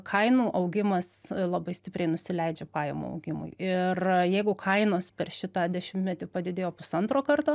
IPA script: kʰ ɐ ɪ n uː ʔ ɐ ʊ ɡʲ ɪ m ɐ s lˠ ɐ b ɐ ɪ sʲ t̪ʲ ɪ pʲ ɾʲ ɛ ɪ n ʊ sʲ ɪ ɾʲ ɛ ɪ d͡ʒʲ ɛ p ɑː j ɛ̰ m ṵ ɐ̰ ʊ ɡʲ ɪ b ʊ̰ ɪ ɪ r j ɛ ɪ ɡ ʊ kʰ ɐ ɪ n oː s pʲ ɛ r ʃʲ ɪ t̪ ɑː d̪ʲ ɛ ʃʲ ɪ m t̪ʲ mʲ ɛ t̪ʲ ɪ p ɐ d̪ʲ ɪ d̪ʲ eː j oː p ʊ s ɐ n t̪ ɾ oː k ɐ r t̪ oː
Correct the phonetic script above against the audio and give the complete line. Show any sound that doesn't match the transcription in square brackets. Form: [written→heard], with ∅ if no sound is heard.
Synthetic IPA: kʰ ɐ ɪ n uː ʔ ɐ ʊ ɡʲ ɪ m ɐ s lˠ ɐ b ɐ ɪ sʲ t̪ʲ ɪ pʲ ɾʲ ɛ ɪ n ʊ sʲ ɪ [ɾʲ→lʲ] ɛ ɪ d͡ʒʲ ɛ p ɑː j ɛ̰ m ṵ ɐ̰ ʊ ɡʲ ɪ [b→m] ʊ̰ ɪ ɪ r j ɛ ɪ ɡ ʊ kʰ ɐ ɪ n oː s pʲ ɛ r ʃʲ ɪ t̪ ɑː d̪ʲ ɛ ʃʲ ɪ m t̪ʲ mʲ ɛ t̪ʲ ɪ p ɐ d̪ʲ ɪ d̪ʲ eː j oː p ʊ s ɐ n t̪ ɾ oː k ɐ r t̪ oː